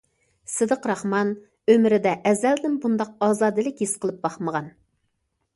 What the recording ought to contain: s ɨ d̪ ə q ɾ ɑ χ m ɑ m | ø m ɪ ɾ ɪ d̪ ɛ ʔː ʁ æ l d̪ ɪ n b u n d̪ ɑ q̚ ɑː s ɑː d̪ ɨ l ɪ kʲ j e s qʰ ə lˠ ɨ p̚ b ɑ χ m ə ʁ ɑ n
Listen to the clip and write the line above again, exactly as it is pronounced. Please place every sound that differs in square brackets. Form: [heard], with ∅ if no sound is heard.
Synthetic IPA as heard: s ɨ d̪ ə q ɾ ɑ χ m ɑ [n] | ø m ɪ ɾ ɪ d̪ ɛ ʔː [z] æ l d̪ ɪ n b u n d̪ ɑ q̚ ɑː [z] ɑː d̪ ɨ l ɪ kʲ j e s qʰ ə lˠ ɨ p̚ b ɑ χ m ə ʁ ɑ n